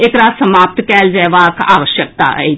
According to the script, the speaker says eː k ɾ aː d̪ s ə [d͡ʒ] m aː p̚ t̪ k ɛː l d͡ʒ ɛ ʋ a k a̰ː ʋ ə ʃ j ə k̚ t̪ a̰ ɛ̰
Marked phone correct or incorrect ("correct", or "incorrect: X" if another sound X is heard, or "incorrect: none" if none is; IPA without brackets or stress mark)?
incorrect: none